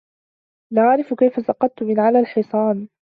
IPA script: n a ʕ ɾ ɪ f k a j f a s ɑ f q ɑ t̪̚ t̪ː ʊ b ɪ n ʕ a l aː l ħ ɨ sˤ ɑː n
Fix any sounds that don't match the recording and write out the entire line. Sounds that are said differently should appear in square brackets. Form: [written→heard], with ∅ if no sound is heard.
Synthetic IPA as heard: n a ʕ ɾ ɪ f k a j f a s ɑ [f→∅] q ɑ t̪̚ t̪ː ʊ [b→m] ɪ n ʕ a l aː l ħ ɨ sˤ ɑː n